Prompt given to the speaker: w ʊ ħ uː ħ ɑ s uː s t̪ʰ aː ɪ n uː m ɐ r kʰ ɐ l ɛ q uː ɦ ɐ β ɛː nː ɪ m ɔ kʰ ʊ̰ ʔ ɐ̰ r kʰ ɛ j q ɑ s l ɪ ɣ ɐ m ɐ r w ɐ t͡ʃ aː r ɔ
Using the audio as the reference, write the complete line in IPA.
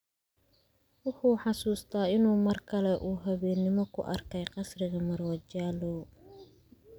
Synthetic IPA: w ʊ ħ uː ħ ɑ s uː s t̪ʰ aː ɪ n uː m ɐ r kʰ ɐ l ɛ ʔ uː ɦ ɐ β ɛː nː ɪ m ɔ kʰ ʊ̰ ʔ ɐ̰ r kʰ ɛ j q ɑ s r ɪ ɣ ɐ m ɐ r w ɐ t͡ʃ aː l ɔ

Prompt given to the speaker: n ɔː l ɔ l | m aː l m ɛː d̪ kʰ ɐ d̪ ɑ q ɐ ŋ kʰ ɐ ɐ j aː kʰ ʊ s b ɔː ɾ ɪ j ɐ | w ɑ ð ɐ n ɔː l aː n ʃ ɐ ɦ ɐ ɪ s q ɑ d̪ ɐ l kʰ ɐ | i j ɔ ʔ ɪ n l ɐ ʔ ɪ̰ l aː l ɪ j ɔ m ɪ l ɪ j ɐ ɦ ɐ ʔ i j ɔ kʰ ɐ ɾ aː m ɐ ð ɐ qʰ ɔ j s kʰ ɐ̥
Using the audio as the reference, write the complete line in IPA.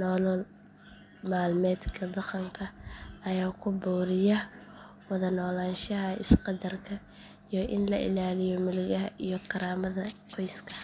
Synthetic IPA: n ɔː l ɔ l | m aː l m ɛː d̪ kʰ ɐ d̪ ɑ q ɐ ŋ kʰ ɐ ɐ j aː kʰ ʊ b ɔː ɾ ɪ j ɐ | w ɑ ð ɐ n ɔː l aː n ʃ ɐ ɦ ɐ ɪ s q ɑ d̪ ɐ r kʰ ɐ | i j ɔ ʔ ɪ n l ɐ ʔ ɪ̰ l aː l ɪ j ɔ m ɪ l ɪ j ɐ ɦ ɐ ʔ i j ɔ kʰ ɐ ɾ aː m ɐ ð ɐ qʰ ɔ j s kʰ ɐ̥

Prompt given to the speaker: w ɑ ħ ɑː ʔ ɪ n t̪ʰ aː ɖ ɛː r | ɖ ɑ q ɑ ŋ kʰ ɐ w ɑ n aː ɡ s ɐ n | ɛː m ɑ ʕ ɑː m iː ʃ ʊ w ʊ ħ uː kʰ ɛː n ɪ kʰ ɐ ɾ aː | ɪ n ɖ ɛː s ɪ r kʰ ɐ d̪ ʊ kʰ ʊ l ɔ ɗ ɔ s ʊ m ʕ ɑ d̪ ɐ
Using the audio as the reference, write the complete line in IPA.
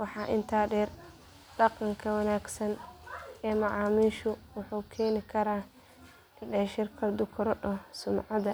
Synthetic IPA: w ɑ ħ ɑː ʔ ɪ n t̪ʰ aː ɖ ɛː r | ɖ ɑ q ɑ ŋ kʰ ɐ w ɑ n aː ɡ s ɐ n | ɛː m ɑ ʕ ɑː m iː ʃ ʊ w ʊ ħ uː kʰ ɛː n ɪ kʰ ɐ ɾ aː | ɪ n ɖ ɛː ʃ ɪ r kʰ ɐ d̪ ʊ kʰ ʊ ɾ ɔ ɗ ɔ s ʊ m ʕ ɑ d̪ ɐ

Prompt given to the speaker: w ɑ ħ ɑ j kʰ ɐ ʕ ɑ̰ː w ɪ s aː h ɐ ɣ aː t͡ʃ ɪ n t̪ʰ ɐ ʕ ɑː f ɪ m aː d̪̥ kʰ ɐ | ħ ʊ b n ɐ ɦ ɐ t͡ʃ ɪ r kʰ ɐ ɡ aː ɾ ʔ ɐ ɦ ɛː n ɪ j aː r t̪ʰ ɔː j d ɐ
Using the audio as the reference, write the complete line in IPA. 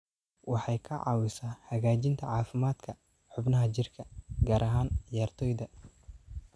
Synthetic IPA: w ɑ ħ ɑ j kʰ ɐ ʕ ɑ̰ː w ɪ s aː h ɐ ɣ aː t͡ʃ ɪ n t̪ʰ ɐ ʕ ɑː f ɪ m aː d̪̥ kʰ ɐ | ħ ʊ b n ɐ ɦ ɐ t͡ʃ ɪ r kʰ ɐ ɡ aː ɾ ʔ ɐ ɦ aː n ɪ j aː r t̪ʰ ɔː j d ɐ

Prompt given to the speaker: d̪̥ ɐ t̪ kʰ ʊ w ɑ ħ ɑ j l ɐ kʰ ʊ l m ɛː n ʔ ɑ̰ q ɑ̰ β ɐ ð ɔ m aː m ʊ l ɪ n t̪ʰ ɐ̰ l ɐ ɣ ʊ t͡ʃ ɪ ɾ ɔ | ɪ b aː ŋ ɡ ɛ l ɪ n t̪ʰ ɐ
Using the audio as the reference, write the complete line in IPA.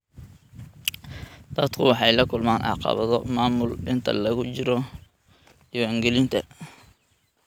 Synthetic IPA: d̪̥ ɐ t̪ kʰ ʊ w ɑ ħ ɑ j l ɐ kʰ ʊ l m aː n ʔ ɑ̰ q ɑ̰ β ɐ ð ɔ m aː m ʊ l ɪ n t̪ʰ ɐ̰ l ɐ ɣ ʊ t͡ʃ ɪ ɾ ɔ | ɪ w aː ŋ ɡ ɛ l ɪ n t̪ʰ ɐ

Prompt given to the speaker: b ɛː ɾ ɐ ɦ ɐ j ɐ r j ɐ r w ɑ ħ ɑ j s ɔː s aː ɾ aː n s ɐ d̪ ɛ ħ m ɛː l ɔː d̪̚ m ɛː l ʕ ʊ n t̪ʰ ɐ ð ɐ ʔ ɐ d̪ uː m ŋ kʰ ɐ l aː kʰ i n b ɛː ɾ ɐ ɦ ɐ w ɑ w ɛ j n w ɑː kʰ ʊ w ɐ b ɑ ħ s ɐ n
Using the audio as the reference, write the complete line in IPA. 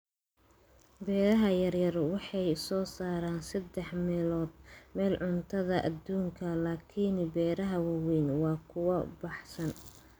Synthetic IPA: b ɛː ɾ ɐ ɦ ɐ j ɐ r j ɐ r w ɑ ħ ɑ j s ɔː s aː ɾ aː n s ɐ d̪ ɛ ħ m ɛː l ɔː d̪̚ m ɛː l ʕ ʊ n t̪ʰ ɐ ð ɐ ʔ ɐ d̪ uː ŋ kʰ ɐ l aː kʰ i n b ɛː ɾ ɐ ɦ ɐ w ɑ w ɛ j n w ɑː kʰ ʊ w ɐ b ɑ ħ s ɐ n

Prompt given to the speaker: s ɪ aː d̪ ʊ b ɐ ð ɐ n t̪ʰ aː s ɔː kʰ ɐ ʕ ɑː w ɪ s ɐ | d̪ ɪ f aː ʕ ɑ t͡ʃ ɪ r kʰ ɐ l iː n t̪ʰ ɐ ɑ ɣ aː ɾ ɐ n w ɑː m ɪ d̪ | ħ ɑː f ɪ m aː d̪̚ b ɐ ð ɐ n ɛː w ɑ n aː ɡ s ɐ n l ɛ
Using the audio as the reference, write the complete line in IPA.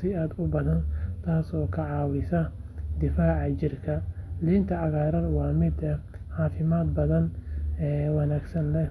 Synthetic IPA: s ɪ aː d̪ ʊ b ɐ ð ɐ n t̪ʰ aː s ɔː kʰ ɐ ʕ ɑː w ɪ s ɐ | d̪ ɪ f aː ʕ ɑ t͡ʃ ɪ r kʰ ɐ l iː n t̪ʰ ɐ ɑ ɣ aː ɾ ɐ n w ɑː m ɪ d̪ | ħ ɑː f ɪ m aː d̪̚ b ɐ ð ɐ n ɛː w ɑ n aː ɡ s ɐ n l ɛ

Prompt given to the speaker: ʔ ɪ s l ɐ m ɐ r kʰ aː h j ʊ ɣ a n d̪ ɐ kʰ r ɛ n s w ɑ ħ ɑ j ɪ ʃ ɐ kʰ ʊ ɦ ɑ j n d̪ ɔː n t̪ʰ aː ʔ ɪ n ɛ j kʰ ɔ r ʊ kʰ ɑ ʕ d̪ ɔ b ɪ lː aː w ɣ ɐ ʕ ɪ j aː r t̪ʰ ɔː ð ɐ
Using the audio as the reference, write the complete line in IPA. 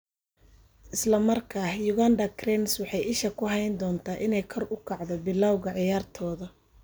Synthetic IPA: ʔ ɪ s l ɐ m ɐ r kʰ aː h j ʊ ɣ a n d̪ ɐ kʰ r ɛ n s w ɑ ħ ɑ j ɪ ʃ ɐ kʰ ʊ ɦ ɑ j n d̪ ɔː n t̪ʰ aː ʔ ɪ n ɛ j kʰ ɔ r ʊ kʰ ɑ ʕ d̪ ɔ b ɪ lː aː w ɣ ɐ ʕ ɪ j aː r t̪ʰ ɔː ð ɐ

